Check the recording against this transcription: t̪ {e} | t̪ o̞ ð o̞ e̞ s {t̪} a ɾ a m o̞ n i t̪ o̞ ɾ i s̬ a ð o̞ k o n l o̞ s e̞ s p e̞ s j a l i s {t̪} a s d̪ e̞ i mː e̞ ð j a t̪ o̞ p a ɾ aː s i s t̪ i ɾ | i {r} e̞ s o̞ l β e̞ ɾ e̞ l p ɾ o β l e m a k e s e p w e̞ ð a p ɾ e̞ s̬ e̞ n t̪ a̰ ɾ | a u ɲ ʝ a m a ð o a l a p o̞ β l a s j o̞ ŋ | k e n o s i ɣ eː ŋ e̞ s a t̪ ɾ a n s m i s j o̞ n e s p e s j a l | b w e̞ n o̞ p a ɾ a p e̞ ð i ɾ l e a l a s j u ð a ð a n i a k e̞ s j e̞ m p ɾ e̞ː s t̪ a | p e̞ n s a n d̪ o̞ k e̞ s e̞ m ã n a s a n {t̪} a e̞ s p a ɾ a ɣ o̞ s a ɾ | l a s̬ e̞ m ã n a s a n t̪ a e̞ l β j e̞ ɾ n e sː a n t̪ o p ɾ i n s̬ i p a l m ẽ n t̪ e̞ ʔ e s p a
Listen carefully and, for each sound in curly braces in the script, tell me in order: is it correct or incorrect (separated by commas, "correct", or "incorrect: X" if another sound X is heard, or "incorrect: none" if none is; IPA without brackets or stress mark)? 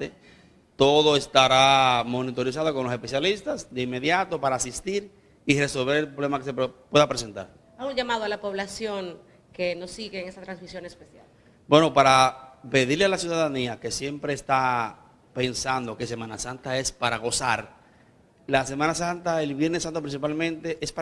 correct, correct, correct, correct, correct